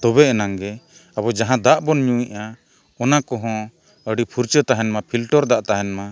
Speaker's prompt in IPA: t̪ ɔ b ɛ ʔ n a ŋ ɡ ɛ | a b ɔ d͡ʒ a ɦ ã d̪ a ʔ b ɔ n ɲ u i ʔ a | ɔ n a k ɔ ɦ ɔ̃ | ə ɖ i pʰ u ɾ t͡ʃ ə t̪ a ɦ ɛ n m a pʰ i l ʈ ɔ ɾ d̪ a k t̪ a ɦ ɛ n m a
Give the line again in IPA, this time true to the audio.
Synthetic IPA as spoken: t̪ ɔ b ɛ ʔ n a ŋ ɡ ɛ | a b ɔ d͡ʒ a ɦ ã d̪ a ʔ b ɔ n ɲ u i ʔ a | ɔ n a k ɔ ɦ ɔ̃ | ə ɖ i pʰ u ɾ t͡ʃ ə t̪ a ɦ ɛ n m a pʰ i l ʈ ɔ ɾ d̪ a ʔ t̪ a ɦ ɛ n m a